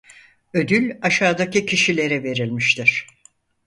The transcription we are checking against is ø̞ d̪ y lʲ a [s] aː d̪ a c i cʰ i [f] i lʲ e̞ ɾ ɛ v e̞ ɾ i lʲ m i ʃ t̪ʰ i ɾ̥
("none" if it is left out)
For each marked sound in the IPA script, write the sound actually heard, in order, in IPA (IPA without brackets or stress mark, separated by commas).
ʃ, ʃ